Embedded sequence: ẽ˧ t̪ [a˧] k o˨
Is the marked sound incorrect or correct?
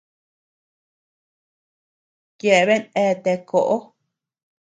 incorrect